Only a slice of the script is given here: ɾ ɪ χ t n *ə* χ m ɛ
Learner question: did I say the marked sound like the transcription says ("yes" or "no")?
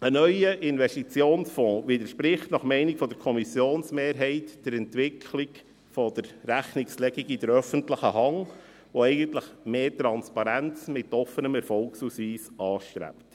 no